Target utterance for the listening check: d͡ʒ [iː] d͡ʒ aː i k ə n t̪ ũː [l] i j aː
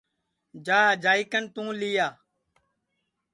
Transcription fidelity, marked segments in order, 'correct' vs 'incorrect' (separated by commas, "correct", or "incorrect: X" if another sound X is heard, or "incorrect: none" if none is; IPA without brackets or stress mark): incorrect: aː, correct